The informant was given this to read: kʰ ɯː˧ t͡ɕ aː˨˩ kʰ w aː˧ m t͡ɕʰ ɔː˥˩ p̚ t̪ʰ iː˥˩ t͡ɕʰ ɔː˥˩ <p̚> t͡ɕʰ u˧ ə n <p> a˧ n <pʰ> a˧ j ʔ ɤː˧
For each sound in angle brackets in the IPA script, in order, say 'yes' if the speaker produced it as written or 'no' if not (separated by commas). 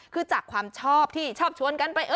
yes, no, no